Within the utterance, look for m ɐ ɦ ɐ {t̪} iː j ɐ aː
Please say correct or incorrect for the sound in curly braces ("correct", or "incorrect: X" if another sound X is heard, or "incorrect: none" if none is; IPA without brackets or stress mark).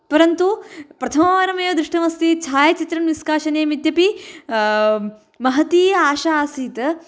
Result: correct